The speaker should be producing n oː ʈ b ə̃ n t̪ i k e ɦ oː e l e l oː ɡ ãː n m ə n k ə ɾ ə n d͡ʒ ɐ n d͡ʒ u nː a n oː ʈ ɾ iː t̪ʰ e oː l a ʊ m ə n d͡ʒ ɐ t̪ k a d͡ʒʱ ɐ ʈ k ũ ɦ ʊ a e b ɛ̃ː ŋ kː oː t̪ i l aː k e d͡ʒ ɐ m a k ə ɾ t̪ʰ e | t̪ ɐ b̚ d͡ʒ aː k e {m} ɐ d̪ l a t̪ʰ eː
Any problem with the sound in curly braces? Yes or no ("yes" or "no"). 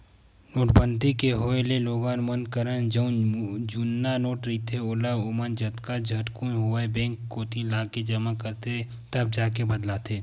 yes